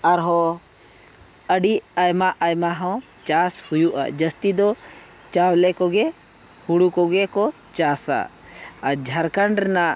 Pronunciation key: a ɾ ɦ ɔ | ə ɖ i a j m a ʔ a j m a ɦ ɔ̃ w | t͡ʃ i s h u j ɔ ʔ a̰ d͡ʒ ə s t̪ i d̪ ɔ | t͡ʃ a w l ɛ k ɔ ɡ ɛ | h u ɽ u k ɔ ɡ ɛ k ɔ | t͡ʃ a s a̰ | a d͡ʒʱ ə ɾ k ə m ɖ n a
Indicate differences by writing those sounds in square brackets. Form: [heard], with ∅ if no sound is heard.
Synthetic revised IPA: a ɾ ɦ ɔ | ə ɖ i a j m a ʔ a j m a ɦ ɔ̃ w | t͡ʃ [a] s h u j [u] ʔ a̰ d͡ʒ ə s t̪ i d̪ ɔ | t͡ʃ a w l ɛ k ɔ ɡ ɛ | h u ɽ u k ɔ ɡ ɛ k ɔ | t͡ʃ a s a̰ | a d͡ʒʱ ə ɾ k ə [ɳ] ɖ n a